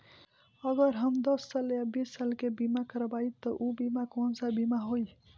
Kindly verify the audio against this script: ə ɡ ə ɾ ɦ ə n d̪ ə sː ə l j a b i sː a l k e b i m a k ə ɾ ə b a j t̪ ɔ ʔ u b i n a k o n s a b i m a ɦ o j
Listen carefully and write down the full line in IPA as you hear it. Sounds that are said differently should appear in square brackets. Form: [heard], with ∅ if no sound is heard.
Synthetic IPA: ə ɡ ə ɾ ɦ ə [m] d̪ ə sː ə l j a b i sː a l k e b i m a k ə ɾ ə b a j t̪ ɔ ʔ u b i [m] a k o n s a b i m a ɦ o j

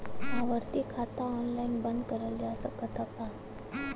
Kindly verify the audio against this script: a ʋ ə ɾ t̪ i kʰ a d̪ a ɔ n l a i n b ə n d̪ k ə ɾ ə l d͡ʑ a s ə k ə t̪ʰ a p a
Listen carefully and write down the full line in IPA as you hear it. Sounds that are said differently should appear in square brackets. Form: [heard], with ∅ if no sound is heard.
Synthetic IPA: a ʋ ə ɾ t̪ i kʰ a [t̪] a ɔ n l a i n b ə n d̪ k ə ɾ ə l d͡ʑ a s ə k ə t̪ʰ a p a

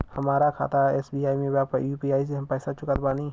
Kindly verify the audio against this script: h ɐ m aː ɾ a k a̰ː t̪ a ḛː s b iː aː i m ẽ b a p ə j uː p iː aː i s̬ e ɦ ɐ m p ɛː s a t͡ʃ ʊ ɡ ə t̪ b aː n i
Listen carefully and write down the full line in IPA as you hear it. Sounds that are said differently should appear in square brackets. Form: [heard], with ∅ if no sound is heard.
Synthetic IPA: h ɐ m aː ɾ a [kʰ] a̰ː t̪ a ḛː s b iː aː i m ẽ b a p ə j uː p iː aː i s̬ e ɦ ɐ m p ɛː s a t͡ʃ ʊ [k] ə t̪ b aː n i

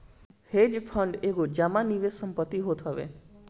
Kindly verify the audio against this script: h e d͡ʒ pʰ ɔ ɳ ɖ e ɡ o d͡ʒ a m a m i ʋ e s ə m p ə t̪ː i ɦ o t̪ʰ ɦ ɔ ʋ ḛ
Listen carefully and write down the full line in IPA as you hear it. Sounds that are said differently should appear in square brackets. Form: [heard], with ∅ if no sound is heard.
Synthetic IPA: h e d͡ʒ pʰ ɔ ɳ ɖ e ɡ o d͡ʒ a m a [n] i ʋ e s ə m p ə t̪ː i ɦ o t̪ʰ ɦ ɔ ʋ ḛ

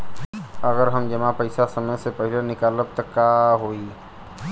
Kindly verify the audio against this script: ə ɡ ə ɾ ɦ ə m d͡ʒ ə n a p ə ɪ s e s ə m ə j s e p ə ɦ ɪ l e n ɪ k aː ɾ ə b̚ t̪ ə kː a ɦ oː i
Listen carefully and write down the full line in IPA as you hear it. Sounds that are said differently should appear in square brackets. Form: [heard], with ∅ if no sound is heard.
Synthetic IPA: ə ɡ ə ɾ ɦ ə m d͡ʒ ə [m] a p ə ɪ s [a] s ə m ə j s e p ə ɦ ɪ l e n ɪ k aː [l] ə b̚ t̪ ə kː a ɦ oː i

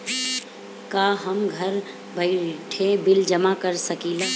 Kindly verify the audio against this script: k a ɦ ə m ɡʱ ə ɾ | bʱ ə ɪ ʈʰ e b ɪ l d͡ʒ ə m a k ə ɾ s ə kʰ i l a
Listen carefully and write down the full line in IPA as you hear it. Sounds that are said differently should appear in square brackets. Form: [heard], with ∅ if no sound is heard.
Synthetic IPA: k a ɦ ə m ɡʱ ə ɾ | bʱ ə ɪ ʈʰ e b ɪ l d͡ʒ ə m a k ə ɾ s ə [k] i l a

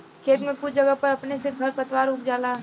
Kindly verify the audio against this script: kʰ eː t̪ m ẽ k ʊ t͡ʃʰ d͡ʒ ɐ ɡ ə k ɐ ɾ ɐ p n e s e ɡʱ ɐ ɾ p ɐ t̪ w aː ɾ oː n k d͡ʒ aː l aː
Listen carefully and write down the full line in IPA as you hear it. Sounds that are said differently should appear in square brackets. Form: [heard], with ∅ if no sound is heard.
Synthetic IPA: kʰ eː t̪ m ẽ k ʊ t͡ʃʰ d͡ʒ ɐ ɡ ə [p] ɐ ɾ ɐ p n e s e ɡʱ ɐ ɾ p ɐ t̪ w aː ɾ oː [∅] k d͡ʒ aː l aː

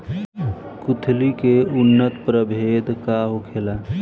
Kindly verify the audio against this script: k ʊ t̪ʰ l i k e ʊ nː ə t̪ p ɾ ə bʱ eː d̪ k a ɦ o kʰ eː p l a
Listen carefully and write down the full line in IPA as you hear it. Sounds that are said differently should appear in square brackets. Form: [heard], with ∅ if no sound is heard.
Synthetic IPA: k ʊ t̪ʰ l i k e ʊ nː ə t̪ p ɾ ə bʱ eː d̪ k a ɦ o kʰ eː [∅] l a

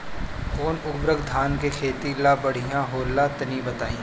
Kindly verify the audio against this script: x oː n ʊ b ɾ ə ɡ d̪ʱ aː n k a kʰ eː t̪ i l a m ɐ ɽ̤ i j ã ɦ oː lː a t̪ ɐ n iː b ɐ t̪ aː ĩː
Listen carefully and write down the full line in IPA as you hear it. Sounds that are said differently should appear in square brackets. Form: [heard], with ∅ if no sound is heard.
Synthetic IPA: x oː n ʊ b ɾ ə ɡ d̪ʱ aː n k [e] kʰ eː t̪ i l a [b] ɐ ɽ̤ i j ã ɦ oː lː a t̪ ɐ n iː b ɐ t̪ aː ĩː

